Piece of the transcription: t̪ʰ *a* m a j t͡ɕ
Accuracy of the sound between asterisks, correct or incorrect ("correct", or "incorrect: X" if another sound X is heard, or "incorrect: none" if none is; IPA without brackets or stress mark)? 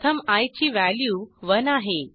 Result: incorrect: ə